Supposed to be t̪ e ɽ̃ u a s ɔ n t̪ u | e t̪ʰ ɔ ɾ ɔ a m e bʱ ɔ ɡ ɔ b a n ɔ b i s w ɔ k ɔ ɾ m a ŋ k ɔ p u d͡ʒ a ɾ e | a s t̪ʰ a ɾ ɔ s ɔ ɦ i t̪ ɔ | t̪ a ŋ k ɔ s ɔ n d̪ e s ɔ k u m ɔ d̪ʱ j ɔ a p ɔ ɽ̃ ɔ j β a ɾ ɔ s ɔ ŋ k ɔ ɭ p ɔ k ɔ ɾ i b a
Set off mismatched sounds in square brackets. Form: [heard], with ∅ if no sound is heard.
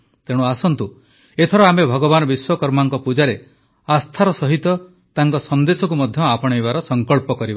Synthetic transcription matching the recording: t̪ e ɽ̃ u a s ɔ n t̪ u | e t̪ʰ ɔ ɾ ɔ a m e bʱ ɔ ɡ ɔ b a n ɔ b i s w ɔ k ɔ ɾ m a ŋ k ɔ p u d͡ʒ a ɾ e | a s t̪ʰ a ɾ ɔ s ɔ ɦ i t̪ ɔ | t̪ a ŋ k ɔ s ɔ n d̪ e s ɔ k u m ɔ d̪ʱ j ɔ a p ɔ ɽ̃ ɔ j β a ɾ ɔ s ɔ ŋ k ɔ ɭ p ɔ k ɔ ɾ i b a